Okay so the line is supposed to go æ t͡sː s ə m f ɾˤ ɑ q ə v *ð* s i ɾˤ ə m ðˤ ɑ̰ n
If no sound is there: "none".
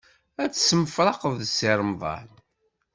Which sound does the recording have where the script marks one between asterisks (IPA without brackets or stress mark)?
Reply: ð